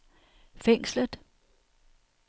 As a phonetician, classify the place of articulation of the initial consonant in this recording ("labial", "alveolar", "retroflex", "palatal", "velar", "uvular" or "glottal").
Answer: labial